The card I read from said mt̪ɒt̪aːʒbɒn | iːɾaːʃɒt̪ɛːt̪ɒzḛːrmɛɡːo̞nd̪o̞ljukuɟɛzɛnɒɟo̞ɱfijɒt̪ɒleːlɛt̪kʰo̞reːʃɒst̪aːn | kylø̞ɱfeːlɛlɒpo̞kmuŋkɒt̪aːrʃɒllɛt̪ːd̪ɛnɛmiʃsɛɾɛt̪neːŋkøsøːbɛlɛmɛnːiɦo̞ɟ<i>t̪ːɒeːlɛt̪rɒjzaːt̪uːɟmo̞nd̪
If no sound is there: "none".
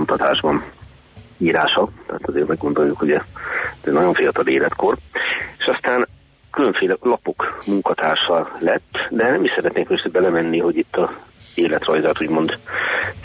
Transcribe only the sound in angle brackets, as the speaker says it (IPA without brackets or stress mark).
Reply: i